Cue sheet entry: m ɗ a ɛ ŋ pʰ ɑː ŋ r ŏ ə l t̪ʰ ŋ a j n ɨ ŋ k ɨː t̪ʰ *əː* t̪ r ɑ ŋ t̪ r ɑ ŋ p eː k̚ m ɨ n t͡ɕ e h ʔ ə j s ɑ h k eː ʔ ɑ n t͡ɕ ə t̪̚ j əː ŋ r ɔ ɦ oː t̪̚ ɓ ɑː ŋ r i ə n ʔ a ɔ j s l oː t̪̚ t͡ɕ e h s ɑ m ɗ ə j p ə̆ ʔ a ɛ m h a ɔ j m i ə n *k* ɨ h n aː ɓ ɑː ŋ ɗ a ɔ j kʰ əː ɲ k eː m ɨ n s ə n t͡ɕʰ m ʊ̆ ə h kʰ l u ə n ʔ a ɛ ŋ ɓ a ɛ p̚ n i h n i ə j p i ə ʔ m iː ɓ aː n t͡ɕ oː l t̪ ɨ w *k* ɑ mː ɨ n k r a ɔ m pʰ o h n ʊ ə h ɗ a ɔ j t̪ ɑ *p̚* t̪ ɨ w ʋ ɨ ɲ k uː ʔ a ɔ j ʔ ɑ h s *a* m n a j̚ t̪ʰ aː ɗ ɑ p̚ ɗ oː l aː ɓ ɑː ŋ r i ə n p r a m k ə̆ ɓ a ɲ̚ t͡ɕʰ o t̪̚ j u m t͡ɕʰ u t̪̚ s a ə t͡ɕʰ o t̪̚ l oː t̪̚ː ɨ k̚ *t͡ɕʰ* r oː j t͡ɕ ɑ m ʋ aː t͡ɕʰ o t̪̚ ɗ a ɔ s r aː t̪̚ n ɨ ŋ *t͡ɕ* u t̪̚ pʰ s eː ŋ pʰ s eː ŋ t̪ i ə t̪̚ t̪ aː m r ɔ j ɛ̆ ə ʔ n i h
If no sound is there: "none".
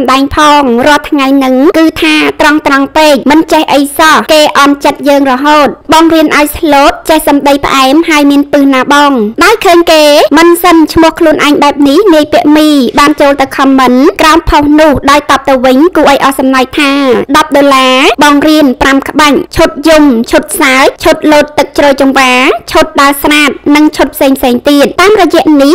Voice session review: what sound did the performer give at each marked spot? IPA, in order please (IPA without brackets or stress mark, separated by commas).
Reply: aː, p, kʰ, p̚, ɑ, t͡ɕ, t͡ɕʰ